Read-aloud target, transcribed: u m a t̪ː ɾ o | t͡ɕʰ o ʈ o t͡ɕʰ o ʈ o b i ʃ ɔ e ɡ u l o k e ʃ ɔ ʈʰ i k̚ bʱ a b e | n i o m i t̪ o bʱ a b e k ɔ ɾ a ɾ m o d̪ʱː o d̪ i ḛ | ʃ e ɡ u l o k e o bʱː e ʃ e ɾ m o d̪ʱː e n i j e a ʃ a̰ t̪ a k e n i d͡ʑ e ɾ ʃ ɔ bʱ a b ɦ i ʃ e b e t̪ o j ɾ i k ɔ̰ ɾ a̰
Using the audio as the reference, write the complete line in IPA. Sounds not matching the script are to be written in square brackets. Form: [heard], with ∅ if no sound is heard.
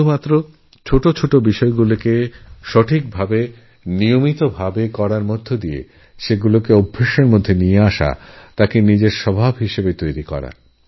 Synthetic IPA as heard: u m a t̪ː ɾ o | t͡ɕʰ o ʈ o t͡ɕʰ o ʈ o b i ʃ ɔ e ɡ u l o k e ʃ ɔ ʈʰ i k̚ bʱ a b e | n i o m i t̪ o bʱ a b e k ɔ ɾ a ɾ m o d̪ʱː o d̪ i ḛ | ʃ e ɡ u l o k e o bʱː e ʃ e ɾ m o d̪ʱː e n i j e a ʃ a̰ t̪ a k e n i d͡ʑ e ɾ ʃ ɔ bʱ a b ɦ i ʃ e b e t̪ o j ɾ i k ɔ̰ ɾ a̰